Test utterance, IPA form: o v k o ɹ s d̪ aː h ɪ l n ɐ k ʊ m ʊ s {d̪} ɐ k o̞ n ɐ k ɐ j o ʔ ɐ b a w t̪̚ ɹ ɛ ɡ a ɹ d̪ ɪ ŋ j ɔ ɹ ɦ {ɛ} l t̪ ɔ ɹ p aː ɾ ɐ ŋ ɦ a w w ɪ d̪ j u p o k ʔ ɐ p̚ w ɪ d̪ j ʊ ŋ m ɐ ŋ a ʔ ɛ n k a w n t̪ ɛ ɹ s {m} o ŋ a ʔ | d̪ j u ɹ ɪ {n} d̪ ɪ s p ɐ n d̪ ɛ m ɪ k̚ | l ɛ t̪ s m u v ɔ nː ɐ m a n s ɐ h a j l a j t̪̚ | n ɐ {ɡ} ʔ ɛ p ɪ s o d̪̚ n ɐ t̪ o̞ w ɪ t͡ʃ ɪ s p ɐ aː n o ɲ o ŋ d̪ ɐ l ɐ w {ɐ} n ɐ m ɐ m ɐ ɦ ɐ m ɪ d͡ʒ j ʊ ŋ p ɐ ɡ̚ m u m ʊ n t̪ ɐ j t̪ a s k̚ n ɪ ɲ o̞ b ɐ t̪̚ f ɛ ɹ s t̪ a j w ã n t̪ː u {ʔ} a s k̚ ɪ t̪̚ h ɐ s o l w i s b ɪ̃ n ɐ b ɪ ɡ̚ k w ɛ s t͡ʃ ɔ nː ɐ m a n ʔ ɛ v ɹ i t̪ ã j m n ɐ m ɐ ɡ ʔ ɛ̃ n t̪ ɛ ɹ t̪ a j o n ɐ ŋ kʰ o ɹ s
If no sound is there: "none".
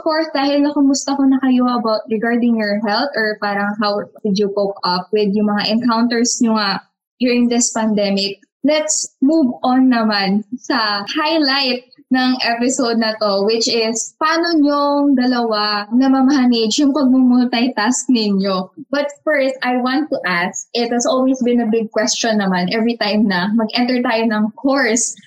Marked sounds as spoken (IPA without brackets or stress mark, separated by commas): t̪, ɛ, ɲ, ŋ, ŋ, a, ʔ